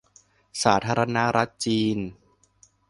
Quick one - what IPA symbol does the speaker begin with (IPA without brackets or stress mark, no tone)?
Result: s